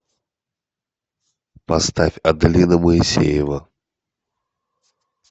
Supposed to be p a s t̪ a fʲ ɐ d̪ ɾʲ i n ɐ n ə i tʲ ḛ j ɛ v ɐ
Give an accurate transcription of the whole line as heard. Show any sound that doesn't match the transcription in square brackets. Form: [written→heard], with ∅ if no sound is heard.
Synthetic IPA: p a s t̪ a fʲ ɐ d̪ [ɾʲ→lʲ] i n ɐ [n→m] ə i [tʲ→sʲ] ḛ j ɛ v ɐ